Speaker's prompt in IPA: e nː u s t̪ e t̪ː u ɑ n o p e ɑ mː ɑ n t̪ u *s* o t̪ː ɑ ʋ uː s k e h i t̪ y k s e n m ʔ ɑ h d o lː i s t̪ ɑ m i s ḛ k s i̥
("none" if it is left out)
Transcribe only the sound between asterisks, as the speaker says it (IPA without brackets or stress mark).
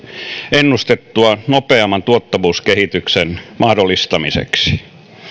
none